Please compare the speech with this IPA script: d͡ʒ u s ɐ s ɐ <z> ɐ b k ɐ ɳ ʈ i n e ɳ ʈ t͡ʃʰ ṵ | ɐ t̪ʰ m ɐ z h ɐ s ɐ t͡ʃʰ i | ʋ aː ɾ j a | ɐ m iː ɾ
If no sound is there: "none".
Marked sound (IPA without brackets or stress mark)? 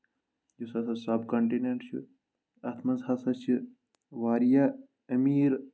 s